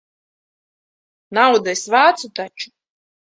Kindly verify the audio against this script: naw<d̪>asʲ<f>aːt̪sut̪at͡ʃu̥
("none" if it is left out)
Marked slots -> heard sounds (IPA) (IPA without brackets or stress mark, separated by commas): d̪, v